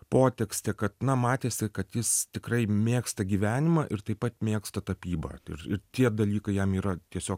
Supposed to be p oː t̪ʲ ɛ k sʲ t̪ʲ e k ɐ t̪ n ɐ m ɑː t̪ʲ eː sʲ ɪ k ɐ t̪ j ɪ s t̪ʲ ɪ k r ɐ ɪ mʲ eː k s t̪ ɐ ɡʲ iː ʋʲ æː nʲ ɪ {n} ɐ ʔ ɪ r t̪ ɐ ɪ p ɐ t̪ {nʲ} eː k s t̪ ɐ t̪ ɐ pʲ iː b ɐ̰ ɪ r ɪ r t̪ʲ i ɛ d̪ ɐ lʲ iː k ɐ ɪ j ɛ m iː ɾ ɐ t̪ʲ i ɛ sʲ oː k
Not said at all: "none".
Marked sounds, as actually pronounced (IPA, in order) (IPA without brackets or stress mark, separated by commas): m, mʲ